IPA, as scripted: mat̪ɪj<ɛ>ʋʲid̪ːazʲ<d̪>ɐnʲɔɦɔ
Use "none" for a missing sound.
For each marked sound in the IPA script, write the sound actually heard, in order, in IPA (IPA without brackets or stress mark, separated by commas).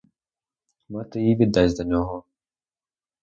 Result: i, d̪